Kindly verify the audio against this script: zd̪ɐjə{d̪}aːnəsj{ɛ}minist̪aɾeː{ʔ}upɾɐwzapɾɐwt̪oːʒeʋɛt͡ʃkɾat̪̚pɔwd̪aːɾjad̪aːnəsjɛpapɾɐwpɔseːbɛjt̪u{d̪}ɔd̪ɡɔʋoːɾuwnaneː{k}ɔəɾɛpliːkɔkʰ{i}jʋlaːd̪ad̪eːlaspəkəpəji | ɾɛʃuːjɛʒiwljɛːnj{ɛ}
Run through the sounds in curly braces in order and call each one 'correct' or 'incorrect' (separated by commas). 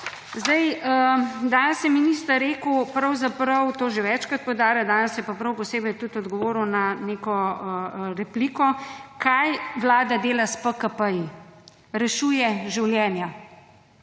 correct, correct, incorrect, incorrect, correct, incorrect, incorrect